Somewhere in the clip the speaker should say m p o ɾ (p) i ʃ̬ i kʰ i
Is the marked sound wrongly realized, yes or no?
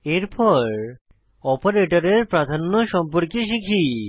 yes